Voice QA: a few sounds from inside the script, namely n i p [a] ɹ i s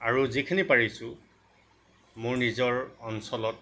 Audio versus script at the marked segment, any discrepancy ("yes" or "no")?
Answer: no